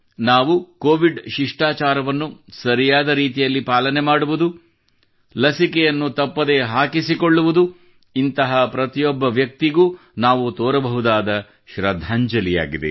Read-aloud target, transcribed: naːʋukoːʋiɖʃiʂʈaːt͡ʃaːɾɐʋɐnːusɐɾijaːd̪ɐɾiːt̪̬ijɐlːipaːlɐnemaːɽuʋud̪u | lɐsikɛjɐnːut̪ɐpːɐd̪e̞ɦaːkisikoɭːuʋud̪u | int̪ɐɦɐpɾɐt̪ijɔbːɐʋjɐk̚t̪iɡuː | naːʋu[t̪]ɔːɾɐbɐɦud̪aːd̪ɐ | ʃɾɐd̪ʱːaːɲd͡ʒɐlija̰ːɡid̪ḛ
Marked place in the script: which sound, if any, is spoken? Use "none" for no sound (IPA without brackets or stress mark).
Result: t̪